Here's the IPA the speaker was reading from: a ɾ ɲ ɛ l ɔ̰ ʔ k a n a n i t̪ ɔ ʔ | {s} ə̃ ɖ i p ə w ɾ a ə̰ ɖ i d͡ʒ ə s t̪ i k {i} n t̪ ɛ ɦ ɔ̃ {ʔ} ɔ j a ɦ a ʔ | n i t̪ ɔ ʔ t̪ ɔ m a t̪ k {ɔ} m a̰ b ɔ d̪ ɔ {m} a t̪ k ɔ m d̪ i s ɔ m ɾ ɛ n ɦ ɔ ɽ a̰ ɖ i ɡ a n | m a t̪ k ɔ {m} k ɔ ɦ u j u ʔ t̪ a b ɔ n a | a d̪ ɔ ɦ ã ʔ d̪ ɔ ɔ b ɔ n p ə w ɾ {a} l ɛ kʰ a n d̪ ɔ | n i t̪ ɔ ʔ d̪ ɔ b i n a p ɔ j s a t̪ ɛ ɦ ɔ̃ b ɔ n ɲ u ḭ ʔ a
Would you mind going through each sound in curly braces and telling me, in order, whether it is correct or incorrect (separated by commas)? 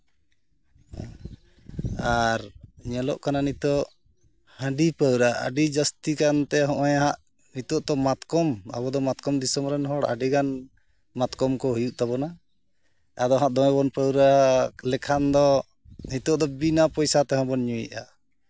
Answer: incorrect, incorrect, correct, correct, correct, correct, correct